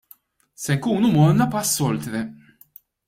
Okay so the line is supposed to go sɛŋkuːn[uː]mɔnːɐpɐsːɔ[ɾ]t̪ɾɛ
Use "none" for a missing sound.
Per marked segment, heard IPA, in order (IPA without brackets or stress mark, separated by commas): u, l